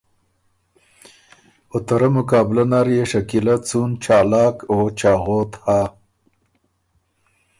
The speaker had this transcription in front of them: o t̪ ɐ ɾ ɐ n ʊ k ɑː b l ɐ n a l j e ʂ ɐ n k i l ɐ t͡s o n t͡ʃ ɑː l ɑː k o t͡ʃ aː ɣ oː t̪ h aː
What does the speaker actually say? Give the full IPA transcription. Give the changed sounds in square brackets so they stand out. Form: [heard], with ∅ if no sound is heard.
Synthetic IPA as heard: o t̪ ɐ ɾ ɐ [m] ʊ k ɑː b l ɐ n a [ɾ] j e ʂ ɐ [∅] k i l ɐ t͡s [u] n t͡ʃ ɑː l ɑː k o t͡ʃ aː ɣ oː t̪ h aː